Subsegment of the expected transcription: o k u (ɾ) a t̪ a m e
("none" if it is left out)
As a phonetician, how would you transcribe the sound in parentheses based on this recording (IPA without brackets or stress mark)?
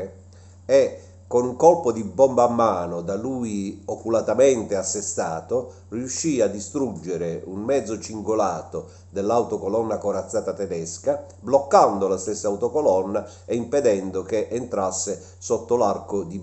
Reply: l